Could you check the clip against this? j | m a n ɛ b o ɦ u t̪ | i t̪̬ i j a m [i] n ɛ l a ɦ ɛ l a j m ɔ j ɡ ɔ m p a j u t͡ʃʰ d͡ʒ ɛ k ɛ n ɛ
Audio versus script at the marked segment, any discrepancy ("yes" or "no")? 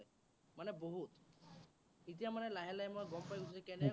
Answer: yes